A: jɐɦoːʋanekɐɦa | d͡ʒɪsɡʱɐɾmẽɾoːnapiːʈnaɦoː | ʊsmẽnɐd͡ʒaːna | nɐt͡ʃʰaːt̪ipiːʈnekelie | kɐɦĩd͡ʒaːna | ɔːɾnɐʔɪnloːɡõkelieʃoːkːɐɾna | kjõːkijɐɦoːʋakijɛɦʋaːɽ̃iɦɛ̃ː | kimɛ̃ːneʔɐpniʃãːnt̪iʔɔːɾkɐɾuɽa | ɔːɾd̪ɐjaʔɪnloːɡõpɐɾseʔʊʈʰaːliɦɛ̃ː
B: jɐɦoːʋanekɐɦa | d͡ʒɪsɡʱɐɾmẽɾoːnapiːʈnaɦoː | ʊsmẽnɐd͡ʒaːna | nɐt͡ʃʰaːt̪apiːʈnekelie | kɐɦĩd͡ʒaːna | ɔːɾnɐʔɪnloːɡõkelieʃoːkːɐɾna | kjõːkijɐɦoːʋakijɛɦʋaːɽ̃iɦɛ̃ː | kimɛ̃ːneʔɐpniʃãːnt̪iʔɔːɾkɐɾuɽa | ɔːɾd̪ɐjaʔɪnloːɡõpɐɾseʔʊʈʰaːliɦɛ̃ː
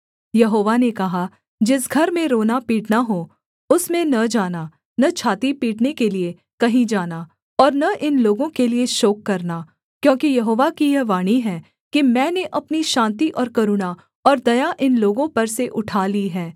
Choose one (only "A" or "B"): A